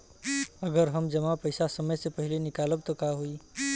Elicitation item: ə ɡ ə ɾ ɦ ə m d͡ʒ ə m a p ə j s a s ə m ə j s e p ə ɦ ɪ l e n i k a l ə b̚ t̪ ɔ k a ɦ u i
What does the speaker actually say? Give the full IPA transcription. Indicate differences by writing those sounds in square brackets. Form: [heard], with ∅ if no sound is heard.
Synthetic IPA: ə ɡ ə ɾ ɦ ə m d͡ʒ ə m a p ə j s a s ə m ə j s e p ə ɦ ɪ l e n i k a l ə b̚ t̪ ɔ k a ɦ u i

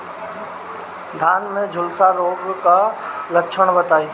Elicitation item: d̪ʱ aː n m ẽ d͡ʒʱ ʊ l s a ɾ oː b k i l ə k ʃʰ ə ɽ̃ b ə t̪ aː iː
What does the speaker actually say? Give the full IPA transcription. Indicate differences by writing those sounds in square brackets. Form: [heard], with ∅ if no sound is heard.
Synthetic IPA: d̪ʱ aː n m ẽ d͡ʒʱ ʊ l s a ɾ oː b k [a] l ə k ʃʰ ə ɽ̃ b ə t̪ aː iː

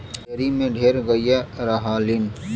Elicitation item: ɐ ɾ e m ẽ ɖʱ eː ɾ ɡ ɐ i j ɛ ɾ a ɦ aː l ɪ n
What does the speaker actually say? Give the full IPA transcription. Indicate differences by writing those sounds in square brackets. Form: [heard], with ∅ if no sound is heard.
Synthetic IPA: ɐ ɾ [i] m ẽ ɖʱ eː ɾ ɡ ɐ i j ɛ ɾ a ɦ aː l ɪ n

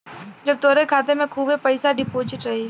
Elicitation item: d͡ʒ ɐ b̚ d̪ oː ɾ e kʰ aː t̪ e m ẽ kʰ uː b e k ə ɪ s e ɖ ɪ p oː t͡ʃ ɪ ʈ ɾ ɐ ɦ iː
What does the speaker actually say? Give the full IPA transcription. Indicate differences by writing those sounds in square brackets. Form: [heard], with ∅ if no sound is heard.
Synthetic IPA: d͡ʒ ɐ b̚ [t̪] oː ɾ e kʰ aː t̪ e m ẽ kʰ uː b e [p] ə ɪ s [a] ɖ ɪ p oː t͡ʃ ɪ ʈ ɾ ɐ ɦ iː

